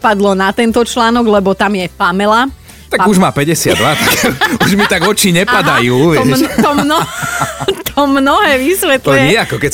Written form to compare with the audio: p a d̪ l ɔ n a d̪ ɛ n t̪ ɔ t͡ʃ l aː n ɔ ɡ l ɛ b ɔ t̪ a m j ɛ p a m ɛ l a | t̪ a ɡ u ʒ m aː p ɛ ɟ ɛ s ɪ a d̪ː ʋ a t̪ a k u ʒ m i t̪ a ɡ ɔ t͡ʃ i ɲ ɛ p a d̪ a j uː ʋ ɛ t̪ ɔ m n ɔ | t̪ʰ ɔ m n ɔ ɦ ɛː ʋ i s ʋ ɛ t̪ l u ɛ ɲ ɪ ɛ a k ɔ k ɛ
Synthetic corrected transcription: p a d̪ l ɔ n a t̪ ɛ n t̪ ɔ t͡ʃ l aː n ɔ ɡ l ɛ b ɔ t̪ a m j ɛ p a m ɛ l a | t̪ a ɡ u ʒ m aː p ɛ ɟ ɛ s ɪ a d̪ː ʋ a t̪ a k u ʒ m i t̪ a ɡ ɔ t͡ʃ i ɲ ɛ p a d̪ a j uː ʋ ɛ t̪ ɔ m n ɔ | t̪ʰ ɔ m n ɔ ɦ ɛː ʋ i s ʋ ɛ t̪ l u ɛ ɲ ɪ ɛ a k ɔ k ɛ